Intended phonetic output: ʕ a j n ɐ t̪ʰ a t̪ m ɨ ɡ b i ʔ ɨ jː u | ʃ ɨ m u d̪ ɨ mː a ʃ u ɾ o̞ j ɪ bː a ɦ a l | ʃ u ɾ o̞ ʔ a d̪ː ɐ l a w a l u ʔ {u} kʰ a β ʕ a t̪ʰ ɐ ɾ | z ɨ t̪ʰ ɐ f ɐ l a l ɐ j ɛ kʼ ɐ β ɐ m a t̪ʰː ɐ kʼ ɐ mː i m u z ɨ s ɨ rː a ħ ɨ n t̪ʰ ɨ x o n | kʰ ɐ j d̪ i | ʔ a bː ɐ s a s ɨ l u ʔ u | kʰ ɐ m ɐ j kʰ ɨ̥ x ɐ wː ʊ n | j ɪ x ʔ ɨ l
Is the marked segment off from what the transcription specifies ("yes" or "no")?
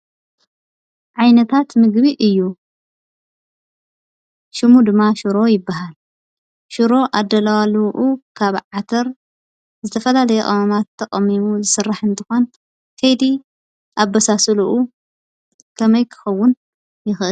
no